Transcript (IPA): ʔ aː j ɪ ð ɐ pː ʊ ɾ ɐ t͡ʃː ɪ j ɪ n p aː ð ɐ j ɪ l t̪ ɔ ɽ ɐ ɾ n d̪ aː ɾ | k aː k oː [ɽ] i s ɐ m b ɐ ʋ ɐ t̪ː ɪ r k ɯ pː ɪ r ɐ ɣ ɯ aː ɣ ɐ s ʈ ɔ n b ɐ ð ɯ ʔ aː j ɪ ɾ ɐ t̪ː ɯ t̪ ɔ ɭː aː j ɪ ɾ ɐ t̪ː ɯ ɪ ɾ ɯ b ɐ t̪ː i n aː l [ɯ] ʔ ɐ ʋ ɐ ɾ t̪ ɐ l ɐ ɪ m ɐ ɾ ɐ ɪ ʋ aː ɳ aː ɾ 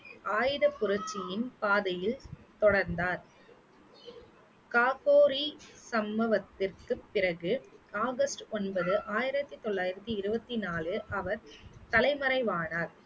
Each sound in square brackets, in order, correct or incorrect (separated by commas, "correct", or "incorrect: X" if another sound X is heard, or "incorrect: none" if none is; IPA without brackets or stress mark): incorrect: ɾ, correct